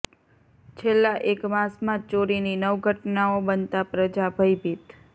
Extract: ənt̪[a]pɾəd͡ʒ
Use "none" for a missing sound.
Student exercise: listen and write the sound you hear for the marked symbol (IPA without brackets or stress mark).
a